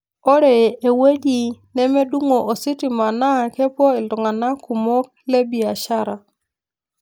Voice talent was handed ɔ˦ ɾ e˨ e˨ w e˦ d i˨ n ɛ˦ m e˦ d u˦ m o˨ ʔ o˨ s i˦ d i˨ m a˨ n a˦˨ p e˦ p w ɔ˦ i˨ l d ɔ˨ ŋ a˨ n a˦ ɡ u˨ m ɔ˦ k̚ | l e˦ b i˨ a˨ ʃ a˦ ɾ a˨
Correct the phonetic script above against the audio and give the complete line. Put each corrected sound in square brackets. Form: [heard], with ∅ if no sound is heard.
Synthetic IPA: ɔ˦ ɾ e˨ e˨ w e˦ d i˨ n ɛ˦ m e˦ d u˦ [ŋ] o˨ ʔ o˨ s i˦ [t] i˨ m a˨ n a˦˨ [k] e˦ p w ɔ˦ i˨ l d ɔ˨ ŋ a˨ n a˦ [k] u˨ m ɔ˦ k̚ | l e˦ b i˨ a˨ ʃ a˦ ɾ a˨